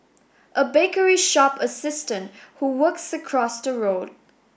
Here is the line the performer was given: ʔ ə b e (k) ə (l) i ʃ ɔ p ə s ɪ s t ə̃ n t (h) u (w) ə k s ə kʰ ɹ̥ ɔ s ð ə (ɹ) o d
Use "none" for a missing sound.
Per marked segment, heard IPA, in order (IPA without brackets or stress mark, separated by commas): k, ɹ, h, w, ɹ